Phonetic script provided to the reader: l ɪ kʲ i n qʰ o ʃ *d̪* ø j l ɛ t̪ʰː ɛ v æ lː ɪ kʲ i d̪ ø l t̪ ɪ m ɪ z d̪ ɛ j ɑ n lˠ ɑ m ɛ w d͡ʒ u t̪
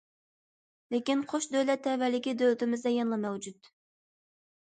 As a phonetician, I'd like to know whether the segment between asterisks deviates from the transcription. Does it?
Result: no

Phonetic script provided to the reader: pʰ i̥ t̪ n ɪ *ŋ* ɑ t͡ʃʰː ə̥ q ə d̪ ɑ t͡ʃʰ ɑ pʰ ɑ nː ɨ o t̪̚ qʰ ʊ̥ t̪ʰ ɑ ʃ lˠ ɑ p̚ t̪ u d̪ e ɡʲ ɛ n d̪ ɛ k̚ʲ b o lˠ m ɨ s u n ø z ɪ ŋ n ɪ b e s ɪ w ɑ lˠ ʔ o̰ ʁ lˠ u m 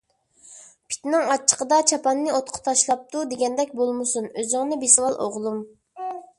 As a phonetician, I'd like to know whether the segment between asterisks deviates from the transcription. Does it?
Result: no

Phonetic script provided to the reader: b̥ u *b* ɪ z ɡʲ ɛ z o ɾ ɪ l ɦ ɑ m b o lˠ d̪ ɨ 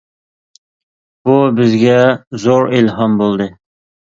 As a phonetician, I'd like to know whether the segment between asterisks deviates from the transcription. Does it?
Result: no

